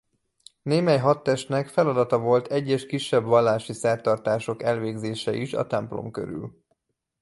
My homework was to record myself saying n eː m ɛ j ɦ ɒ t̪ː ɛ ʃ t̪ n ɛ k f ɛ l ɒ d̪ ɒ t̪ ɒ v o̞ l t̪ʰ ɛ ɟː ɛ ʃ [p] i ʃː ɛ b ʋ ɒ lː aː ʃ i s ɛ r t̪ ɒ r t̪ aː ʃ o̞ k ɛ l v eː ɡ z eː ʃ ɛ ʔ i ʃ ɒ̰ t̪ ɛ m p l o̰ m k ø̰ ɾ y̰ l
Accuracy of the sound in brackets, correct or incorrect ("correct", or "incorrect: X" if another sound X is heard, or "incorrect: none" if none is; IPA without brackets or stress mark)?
incorrect: k